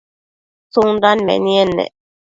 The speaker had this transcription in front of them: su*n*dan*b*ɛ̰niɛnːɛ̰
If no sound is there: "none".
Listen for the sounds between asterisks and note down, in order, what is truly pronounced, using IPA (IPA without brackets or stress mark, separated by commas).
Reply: ŋ, m